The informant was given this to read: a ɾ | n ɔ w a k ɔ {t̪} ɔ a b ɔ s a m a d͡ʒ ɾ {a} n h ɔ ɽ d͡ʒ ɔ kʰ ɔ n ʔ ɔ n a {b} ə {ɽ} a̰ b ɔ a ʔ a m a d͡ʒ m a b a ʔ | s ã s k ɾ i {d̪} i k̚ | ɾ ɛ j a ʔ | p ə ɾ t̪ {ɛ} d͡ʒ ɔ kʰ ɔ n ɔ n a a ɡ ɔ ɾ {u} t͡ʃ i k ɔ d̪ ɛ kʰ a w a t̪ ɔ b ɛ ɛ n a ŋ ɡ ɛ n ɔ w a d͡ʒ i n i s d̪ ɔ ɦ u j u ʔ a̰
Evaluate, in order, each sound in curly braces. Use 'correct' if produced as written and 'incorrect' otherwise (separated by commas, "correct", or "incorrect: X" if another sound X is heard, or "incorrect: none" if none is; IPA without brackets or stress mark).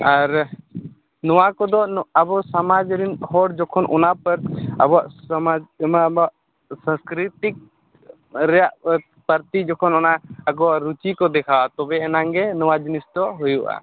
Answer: incorrect: d̪, incorrect: i, incorrect: p, incorrect: ɾ, incorrect: t̪, incorrect: i, correct